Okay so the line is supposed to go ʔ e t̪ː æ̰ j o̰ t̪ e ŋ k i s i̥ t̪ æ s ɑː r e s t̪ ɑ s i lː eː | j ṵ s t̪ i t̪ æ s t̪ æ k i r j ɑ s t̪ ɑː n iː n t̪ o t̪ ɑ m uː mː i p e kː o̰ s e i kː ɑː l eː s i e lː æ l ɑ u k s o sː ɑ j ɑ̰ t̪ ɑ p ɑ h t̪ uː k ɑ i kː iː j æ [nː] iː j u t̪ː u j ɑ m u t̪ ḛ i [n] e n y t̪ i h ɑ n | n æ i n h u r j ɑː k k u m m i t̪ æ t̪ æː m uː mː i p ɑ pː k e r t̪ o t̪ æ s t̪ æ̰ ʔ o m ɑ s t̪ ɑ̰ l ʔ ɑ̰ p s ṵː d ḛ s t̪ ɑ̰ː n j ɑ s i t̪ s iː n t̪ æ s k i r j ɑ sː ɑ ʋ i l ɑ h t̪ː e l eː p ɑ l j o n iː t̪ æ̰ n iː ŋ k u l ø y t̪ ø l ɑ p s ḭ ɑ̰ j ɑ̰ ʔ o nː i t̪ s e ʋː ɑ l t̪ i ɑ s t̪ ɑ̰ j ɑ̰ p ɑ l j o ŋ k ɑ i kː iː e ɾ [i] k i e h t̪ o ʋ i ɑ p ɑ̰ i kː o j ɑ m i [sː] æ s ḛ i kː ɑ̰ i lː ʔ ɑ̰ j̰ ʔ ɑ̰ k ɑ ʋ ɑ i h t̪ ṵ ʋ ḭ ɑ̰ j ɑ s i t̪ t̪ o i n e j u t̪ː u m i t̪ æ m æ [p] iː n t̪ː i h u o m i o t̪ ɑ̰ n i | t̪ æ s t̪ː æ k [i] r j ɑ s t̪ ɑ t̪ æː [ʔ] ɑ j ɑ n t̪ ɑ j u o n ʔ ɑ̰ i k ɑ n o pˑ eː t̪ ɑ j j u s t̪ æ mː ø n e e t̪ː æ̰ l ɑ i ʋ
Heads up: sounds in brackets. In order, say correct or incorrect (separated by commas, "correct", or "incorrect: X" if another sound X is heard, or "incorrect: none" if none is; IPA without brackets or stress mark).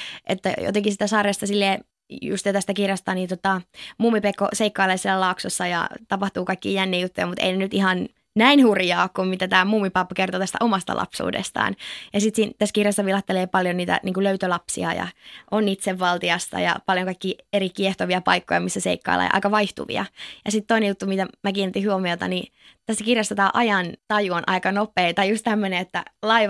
correct, correct, correct, correct, incorrect: k, correct, correct